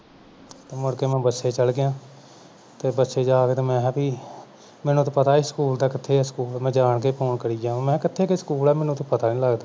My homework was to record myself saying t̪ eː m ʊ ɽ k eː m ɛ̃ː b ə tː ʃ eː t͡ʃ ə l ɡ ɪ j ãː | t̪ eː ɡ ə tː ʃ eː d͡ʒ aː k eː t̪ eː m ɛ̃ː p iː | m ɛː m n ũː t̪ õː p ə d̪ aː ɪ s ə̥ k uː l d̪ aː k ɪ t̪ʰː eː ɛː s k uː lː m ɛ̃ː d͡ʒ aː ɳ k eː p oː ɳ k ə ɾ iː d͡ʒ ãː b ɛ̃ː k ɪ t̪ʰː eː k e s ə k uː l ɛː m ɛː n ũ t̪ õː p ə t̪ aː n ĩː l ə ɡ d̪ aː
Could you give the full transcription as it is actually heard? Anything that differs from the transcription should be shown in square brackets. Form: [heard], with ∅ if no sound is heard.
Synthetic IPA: t̪ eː m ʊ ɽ k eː m ɛ̃ː b ə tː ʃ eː t͡ʃ ə l ɡ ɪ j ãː | t̪ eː [b] ə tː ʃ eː d͡ʒ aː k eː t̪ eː m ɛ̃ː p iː | m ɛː [∅] n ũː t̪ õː p ə [t̪] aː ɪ s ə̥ k uː l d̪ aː k ɪ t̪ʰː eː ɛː s k uː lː m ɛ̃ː d͡ʒ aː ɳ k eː p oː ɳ k ə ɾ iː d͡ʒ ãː [m] ɛ̃ː k ɪ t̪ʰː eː k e s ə k uː l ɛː m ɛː n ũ t̪ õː p ə t̪ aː n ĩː l ə ɡ d̪ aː